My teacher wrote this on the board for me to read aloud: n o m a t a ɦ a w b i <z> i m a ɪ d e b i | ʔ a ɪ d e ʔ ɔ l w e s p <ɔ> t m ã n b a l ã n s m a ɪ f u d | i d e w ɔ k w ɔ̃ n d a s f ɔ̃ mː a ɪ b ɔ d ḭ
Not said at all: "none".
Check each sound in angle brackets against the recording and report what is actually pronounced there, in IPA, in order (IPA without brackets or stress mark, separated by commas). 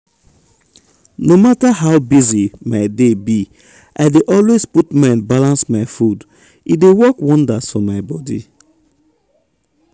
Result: z, u